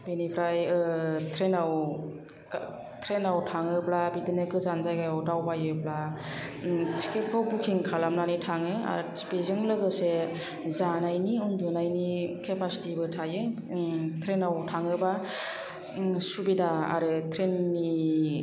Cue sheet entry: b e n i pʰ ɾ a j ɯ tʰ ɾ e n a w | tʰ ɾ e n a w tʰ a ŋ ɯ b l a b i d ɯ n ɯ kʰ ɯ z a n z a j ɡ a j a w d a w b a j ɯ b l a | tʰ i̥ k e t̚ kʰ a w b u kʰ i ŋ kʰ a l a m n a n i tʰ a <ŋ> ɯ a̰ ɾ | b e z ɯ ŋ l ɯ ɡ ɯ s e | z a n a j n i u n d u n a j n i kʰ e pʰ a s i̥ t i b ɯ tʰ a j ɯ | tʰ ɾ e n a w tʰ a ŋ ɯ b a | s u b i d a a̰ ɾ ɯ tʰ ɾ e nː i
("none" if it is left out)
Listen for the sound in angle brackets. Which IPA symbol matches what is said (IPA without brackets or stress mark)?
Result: ŋ